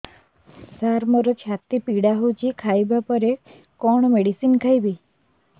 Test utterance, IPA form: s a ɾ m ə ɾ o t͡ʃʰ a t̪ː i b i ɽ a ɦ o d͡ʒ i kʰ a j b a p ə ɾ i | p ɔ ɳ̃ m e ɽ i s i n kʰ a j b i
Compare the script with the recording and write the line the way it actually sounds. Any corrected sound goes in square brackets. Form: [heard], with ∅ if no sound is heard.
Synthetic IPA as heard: s a ɾ m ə ɾ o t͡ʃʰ a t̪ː i [p] i ɽ a ɦ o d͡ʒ i kʰ a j b a p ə ɾ [e] | [k] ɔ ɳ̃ m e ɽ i s i n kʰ a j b i